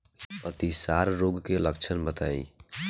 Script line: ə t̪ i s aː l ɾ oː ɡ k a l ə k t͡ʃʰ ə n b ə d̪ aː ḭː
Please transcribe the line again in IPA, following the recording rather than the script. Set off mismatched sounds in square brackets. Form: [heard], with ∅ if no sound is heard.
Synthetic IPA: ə t̪ i s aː [ɾ] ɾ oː ɡ k [e] l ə k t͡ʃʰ ə n b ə [t̪] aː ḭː